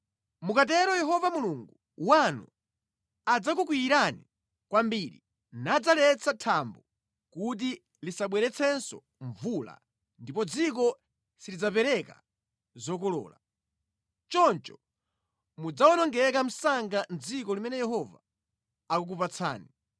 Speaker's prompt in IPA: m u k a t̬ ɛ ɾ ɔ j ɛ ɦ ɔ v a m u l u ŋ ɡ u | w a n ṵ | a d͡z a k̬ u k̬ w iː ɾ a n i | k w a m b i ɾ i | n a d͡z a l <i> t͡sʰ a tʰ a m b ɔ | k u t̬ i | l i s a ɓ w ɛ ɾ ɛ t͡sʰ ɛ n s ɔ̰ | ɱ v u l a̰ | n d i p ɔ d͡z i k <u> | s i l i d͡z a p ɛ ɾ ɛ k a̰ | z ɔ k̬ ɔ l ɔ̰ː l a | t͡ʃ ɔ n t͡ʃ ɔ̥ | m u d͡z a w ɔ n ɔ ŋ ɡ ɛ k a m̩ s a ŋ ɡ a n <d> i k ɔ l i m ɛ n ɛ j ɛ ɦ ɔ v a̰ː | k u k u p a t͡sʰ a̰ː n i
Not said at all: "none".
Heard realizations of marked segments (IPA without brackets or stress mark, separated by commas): ɛ, ɔ, d͡z